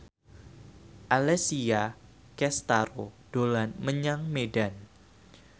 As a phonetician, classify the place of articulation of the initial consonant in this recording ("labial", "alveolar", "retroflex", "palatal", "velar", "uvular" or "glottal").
glottal